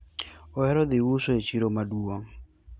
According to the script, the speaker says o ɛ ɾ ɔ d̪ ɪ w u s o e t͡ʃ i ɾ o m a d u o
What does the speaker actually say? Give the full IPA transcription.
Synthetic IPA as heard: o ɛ ɾ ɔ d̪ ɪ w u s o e t͡ʃ i ɾ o m a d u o